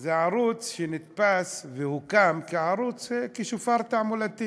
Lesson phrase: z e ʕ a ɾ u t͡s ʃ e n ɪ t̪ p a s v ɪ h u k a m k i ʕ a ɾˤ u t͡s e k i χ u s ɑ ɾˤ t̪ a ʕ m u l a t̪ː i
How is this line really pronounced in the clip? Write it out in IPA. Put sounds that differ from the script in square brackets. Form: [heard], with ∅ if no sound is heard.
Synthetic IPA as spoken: z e ʕ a ɾ u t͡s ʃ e n ɪ t̪ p a s v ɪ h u k a m k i ʕ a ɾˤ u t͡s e k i [ʃ] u [f] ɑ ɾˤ t̪ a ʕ m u l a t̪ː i